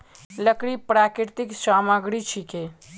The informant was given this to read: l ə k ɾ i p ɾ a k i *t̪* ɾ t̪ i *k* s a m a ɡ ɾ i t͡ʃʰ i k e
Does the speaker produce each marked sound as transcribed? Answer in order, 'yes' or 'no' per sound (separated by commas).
no, yes